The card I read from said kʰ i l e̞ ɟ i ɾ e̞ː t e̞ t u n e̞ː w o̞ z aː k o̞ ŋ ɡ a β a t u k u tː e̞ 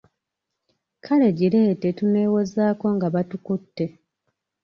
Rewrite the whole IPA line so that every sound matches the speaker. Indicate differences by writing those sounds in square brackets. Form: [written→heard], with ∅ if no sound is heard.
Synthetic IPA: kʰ [i→a] l e̞ ɟ i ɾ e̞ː t e̞ t u n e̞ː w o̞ z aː k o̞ ŋ ɡ a β a t u k u tː e̞